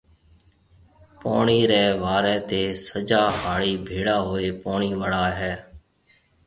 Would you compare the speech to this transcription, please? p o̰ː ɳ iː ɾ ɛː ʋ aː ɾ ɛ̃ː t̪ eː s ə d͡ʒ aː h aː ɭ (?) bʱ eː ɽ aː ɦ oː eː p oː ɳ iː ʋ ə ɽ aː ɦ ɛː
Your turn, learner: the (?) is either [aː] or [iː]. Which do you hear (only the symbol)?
iː